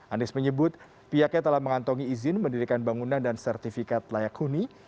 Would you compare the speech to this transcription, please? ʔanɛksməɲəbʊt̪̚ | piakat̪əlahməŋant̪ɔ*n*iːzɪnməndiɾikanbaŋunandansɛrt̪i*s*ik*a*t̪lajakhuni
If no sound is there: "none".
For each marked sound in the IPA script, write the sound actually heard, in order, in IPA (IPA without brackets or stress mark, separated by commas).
ŋ, f, a